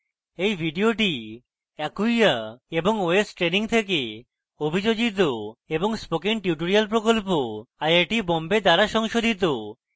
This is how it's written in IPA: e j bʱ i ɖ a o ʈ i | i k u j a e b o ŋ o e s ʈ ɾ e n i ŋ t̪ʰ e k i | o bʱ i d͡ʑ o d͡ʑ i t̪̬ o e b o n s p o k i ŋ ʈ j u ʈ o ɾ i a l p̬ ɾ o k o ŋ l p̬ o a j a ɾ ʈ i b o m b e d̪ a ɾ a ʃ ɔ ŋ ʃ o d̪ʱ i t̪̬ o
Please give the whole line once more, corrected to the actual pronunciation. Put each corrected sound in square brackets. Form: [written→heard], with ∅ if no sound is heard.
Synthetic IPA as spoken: e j bʱ i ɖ [a→i] o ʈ i | [i→ɛ] k u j a e b o ŋ o e s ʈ ɾ e n i ŋ t̪ʰ e k [i→e] | o bʱ i d͡ʑ o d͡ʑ i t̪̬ o e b o [n→ŋ] s p o k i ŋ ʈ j u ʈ o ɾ i a l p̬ ɾ o k o [ŋ→∅] l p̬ o a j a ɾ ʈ i b o m b e d̪ a ɾ a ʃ ɔ ŋ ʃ o d̪ʱ i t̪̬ o